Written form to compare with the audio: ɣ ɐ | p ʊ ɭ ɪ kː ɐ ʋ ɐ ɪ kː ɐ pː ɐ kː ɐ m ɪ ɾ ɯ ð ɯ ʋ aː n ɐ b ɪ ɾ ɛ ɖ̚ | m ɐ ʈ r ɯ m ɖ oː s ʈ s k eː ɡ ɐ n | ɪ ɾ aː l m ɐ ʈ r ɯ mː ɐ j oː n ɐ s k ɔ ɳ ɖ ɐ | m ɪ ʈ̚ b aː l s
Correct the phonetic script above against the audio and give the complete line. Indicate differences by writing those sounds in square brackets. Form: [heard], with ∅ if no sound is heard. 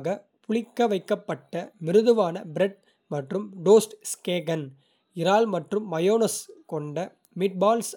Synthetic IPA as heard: ɣ ɐ | p ʊ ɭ ɪ kː ɐ ʋ ɐ ɪ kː ɐ pː ɐ [ʈː] ɐ m ɪ ɾ ɯ ð ɯ ʋ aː n ɐ b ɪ ɾ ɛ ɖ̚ | m ɐ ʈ r ɯ m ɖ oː s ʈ s k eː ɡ ɐ n | ɪ ɾ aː l m ɐ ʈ r ɯ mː ɐ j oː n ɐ s k ɔ ɳ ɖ ɐ | m ɪ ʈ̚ b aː l s